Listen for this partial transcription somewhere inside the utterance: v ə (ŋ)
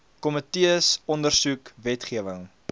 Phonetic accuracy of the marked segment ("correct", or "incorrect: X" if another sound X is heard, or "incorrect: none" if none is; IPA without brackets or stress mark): correct